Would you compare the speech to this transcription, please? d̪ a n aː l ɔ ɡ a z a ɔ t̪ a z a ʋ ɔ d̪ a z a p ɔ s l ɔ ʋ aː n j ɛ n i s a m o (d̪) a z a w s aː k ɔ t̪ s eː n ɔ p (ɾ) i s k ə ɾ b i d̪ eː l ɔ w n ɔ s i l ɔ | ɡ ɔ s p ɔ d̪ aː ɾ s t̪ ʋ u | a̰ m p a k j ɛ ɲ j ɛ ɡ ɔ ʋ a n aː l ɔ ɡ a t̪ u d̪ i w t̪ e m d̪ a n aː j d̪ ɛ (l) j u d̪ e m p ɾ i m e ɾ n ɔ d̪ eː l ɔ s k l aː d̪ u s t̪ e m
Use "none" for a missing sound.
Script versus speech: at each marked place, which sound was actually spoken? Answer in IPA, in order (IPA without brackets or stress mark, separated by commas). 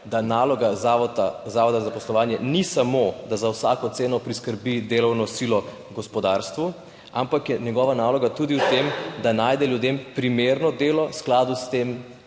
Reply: d̪, ɾ, l